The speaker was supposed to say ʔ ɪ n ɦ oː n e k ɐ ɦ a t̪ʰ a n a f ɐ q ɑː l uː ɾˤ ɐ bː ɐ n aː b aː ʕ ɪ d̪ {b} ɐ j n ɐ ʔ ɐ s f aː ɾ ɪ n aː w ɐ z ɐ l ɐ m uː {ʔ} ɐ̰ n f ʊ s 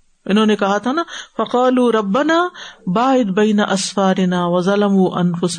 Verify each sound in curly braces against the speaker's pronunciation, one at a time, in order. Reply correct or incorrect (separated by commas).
correct, correct